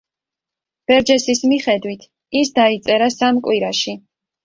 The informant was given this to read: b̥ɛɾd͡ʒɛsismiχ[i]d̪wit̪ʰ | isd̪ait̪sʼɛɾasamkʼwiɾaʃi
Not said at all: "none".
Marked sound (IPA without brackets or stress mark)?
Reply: ɛ